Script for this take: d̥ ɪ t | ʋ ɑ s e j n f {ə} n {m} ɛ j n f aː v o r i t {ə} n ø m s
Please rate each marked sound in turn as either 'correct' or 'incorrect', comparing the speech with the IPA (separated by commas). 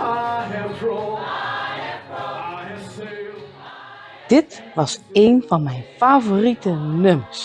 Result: incorrect, correct, correct